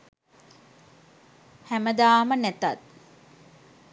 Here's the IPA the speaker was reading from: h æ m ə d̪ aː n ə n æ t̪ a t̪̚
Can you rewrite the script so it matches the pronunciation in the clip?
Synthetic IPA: h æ m ə d̪ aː m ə n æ t̪ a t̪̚